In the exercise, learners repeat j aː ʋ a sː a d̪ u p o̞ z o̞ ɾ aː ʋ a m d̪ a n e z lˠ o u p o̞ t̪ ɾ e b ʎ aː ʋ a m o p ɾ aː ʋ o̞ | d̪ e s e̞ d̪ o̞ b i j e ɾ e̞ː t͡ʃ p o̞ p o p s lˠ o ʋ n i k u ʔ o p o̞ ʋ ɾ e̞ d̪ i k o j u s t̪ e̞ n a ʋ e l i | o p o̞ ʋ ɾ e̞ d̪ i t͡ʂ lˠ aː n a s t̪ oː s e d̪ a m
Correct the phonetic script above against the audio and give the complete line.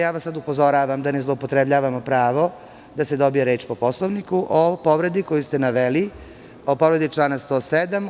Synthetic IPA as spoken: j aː ʋ a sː a d̪ u p o̞ z o̞ ɾ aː ʋ a m d̪ a n e z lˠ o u p o̞ t̪ ɾ e b ʎ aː ʋ a m o p ɾ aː ʋ o̞ | d̪ a s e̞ d̪ o̞ b i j e ɾ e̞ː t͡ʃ p o̞ p o s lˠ o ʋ n i k u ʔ o p o̞ ʋ ɾ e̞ d̪ i k o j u s t̪ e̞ n a ʋ e l i | o p o̞ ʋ ɾ e̞ d̪ i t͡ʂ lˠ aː n a s t̪ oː s e d̪ a m